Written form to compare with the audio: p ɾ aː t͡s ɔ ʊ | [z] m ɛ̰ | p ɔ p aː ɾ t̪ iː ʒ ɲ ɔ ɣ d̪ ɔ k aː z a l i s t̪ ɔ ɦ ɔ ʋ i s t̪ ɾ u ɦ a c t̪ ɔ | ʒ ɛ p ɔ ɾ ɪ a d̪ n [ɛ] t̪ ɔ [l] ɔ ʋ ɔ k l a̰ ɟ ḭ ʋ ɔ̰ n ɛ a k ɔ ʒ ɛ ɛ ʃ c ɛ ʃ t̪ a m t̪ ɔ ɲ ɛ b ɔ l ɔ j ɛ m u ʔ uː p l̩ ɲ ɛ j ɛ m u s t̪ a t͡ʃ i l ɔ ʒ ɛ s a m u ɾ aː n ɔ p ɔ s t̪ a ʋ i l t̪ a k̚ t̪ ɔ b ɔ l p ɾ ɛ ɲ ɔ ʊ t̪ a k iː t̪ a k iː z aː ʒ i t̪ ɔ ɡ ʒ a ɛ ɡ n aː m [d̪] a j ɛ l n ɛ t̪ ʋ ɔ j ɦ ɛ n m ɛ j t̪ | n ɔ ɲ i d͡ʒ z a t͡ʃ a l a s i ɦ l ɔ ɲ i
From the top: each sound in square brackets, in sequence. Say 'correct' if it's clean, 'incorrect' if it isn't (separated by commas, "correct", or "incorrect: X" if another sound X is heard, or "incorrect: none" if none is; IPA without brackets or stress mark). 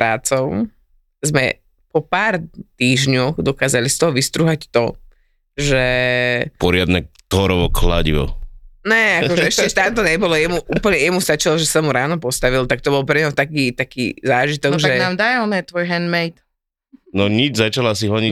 correct, correct, incorrect: ɾ, correct